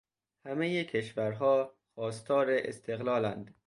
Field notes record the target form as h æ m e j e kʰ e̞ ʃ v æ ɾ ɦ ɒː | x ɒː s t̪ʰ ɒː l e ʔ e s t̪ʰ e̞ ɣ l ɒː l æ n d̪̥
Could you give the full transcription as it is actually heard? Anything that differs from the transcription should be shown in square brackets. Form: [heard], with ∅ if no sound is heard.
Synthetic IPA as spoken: h æ m e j e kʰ e̞ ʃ v æ ɾ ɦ ɒː | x ɒː s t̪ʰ ɒː [ɾ] e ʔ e s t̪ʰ e̞ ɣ l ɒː l æ n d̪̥